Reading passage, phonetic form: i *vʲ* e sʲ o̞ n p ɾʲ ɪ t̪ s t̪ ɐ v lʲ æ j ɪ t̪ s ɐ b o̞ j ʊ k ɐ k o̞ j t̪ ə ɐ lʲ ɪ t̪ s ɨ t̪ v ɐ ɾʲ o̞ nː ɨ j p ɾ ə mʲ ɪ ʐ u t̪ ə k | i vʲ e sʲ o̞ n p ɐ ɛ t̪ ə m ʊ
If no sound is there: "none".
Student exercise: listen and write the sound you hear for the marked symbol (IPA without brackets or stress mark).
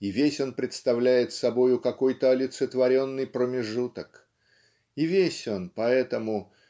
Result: vʲ